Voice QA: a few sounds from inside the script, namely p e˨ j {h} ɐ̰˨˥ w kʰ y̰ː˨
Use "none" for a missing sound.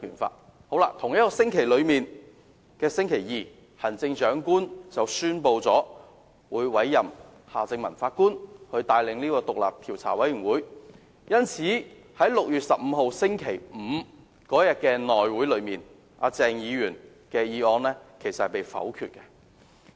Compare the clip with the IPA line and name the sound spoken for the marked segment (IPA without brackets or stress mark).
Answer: f